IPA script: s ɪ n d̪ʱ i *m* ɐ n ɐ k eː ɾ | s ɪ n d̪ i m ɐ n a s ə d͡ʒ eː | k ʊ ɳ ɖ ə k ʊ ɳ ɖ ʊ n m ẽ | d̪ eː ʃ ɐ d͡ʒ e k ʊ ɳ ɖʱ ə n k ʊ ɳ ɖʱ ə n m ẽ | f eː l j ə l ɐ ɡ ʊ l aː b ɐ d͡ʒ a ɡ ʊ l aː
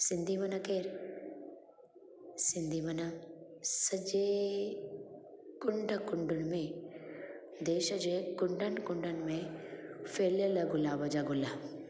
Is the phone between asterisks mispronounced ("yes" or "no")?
no